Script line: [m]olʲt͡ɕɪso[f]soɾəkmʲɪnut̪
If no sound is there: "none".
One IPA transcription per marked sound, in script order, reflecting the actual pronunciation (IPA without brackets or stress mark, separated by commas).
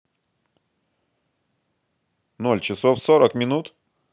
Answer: n, f